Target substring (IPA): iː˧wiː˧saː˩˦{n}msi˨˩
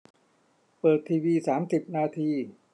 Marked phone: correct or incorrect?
incorrect